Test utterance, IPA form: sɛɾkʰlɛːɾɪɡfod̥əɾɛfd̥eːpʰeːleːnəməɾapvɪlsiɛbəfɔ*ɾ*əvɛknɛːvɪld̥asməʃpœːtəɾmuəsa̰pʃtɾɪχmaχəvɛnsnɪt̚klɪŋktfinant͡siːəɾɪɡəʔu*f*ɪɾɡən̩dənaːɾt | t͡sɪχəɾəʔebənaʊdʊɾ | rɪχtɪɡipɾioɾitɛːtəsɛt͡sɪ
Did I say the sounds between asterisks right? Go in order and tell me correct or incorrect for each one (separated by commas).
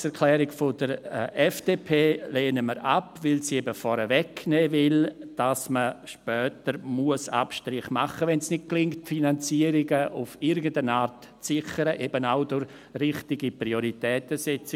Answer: correct, correct